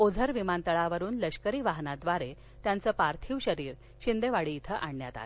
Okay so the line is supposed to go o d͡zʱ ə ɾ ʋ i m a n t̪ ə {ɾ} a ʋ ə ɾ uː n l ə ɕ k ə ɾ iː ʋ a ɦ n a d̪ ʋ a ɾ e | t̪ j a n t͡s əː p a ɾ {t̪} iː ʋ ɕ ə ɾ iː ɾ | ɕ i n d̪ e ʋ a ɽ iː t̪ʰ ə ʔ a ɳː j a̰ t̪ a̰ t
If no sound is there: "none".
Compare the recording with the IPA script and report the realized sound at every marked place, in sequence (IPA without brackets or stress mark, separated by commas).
ɭ, t̪ʰ